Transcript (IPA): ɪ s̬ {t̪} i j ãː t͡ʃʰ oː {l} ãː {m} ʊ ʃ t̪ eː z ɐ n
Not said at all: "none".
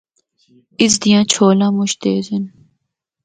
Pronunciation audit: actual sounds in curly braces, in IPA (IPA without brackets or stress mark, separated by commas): d̪, l, m